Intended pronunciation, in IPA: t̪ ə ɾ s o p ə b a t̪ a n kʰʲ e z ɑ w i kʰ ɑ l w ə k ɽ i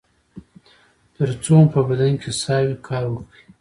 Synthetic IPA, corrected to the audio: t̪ ə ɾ t͡s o p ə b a d̪ a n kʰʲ e s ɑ w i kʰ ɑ ɾ w ə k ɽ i